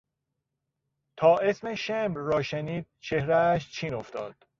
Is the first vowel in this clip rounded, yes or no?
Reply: yes